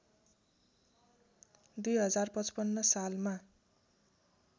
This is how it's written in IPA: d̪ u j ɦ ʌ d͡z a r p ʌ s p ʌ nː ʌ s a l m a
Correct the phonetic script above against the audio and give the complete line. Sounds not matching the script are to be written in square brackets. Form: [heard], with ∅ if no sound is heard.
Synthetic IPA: d̪ u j ɦ ʌ d͡z a r p ʌ [t͡s] p ʌ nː ʌ s a l m a